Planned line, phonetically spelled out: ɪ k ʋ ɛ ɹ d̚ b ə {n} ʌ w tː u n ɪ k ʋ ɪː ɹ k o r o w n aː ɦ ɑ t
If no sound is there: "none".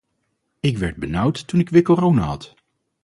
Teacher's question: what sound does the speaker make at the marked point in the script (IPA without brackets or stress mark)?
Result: n